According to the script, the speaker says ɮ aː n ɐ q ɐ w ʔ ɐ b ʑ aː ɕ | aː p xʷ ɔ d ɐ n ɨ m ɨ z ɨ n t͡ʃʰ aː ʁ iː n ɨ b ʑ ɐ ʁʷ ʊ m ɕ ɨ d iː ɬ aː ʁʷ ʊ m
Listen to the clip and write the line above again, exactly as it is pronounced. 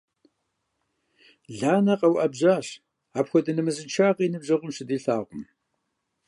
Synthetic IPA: ɮ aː n ɐ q ɐ w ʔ ɐ b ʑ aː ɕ | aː p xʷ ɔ d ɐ n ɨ m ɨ z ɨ n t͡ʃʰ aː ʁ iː n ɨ b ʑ ɐ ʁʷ ʊ m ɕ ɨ d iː ɬ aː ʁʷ ʊ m

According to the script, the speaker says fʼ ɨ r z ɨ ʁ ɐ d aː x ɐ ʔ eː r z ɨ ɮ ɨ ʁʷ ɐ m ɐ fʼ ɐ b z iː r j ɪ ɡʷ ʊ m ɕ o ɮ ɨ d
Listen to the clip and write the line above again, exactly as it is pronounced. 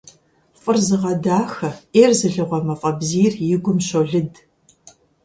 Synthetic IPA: fʼ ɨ r z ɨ ʁ ɐ d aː x ɐ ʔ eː r z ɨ ɮ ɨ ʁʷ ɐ m ɐ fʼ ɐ b z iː r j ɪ ɡʷ ʊ m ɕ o ɮ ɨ d

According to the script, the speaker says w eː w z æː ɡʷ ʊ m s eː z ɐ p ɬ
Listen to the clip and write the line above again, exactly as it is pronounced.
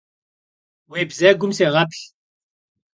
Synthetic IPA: w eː b z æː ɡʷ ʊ m s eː ʁ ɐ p ɬ

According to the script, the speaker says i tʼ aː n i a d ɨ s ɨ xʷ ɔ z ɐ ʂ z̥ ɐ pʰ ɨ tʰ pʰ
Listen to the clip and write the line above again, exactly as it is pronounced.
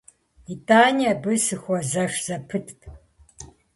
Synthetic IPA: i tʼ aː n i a b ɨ s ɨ xʷ ɔ z ɐ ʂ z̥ ɐ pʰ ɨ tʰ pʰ

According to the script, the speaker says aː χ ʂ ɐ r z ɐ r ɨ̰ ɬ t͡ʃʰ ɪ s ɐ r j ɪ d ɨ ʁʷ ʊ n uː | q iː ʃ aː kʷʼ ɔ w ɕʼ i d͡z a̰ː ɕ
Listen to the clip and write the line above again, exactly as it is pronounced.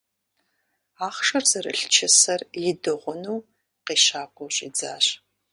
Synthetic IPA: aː χ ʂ ɐ r z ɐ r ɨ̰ ɬ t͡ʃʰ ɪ s ɐ r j ɪ d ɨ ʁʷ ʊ n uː | q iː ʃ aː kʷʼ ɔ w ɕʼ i d͡z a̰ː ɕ

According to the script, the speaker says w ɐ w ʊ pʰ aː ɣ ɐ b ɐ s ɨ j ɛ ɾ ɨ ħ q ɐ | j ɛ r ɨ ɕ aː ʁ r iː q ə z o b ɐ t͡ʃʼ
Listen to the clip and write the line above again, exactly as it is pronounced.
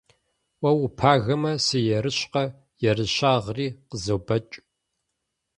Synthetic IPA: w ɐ w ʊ pʰ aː ɣ ɐ m ɐ s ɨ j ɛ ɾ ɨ ɕ q ɐ | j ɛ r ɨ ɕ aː ʁ r iː q ə z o b ɐ t͡ʃʼ

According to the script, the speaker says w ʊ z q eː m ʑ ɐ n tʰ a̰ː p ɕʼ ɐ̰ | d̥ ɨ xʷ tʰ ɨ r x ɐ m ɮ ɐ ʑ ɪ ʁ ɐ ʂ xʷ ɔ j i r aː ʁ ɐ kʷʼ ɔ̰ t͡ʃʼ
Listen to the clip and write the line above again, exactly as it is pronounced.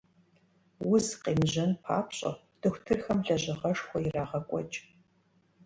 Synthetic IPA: w ʊ z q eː m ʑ ɐ n pʰ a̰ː p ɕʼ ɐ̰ | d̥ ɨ xʷ tʰ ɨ r x ɐ m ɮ ɐ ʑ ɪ ʁ ɐ ʂ xʷ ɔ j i r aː ʁ ɐ kʷʼ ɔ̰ t͡ʃʼ

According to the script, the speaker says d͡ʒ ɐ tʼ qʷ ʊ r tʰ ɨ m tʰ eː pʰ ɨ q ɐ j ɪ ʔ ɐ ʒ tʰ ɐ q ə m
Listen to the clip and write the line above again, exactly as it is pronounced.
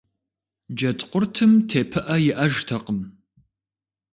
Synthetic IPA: d͡ʒ ɐ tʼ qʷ ʊ r tʰ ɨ m tʰ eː pʰ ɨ ʔ ɐ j ɪ ʔ ɐ ʒ tʰ ɐ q ə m

